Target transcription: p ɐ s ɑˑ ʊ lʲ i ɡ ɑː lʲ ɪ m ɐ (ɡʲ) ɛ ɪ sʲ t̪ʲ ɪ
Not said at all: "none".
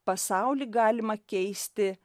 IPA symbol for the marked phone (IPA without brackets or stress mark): kʲ